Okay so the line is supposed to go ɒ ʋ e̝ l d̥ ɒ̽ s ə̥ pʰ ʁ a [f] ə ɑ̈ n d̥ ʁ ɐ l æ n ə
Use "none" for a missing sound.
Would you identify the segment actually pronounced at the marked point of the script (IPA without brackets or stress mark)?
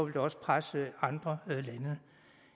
s